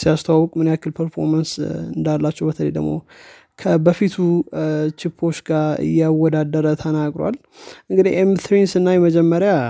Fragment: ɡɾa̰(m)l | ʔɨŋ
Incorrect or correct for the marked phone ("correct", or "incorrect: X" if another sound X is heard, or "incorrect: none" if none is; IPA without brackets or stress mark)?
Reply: incorrect: none